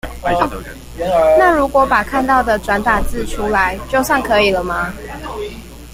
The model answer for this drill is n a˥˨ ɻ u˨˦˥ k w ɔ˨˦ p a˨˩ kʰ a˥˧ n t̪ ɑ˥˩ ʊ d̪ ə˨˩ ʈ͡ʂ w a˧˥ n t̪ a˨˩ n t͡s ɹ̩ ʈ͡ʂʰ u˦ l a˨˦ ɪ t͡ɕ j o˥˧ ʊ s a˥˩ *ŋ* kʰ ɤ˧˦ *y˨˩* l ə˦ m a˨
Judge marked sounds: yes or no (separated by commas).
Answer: yes, no